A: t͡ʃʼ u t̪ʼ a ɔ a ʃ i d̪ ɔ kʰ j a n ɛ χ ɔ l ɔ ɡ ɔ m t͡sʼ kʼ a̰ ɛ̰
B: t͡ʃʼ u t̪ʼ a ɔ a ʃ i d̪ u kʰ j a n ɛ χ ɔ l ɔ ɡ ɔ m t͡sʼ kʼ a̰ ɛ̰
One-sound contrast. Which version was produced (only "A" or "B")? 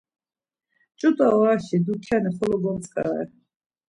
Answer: B